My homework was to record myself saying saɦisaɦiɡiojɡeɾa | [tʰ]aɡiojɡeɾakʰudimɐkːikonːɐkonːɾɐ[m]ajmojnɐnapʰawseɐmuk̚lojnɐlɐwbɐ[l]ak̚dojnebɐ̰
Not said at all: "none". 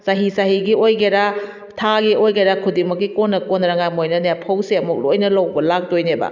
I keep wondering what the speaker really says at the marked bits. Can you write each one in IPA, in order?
tʰ, ŋ, l

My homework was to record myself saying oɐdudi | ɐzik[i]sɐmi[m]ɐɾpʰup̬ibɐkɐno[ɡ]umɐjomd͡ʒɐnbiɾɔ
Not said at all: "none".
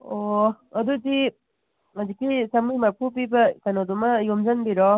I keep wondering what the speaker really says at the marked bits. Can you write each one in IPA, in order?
i, m, d

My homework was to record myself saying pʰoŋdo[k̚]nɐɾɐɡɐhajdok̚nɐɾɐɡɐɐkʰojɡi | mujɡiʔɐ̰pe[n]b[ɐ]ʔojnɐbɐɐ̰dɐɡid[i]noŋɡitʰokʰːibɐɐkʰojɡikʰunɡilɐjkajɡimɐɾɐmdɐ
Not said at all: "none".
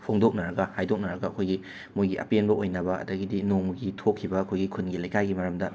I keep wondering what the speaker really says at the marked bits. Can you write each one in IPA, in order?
k̚, n, ɐ, i

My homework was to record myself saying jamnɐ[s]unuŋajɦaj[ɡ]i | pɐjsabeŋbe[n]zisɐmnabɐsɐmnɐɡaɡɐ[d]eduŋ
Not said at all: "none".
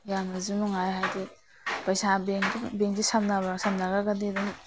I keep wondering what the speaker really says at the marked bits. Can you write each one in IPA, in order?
z, d, ŋ, d

